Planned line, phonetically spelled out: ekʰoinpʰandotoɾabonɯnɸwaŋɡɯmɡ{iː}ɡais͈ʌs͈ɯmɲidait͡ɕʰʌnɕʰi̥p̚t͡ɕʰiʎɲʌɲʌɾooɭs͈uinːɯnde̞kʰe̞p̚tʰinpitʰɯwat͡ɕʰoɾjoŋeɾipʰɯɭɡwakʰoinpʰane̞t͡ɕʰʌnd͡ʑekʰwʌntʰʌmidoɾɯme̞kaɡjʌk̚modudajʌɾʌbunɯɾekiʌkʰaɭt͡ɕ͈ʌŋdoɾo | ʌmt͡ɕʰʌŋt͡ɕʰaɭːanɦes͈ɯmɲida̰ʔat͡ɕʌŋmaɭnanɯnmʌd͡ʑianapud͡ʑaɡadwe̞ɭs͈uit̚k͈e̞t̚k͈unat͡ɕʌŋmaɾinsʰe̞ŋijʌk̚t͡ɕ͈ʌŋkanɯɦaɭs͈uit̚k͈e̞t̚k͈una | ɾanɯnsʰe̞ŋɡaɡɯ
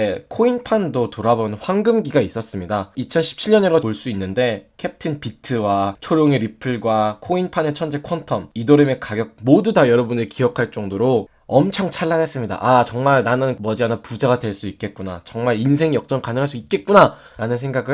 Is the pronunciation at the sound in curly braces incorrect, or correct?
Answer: incorrect